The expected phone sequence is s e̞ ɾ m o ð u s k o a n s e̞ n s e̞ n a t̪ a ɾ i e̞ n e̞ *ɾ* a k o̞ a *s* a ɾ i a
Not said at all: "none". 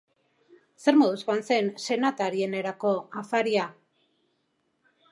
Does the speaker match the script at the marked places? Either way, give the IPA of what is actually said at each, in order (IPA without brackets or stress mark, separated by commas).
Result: ɾ, f